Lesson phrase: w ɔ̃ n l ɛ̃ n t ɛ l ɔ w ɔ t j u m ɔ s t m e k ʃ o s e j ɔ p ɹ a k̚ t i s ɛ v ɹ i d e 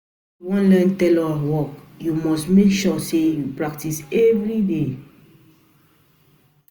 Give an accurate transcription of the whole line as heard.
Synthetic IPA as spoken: w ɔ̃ n l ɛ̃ n t ɛ l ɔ w ɔ k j u m ɔ s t m e k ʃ ɔ s e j u p ɹ a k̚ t i s ɛ v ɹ i d e